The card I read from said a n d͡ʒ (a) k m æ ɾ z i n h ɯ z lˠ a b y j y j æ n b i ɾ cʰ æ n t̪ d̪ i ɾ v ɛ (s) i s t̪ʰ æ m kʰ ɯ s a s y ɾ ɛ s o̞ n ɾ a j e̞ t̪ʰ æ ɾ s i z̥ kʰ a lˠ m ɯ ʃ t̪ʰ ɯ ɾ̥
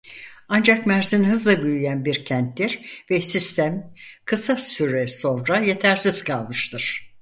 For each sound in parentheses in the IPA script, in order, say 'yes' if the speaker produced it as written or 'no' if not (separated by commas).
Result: yes, yes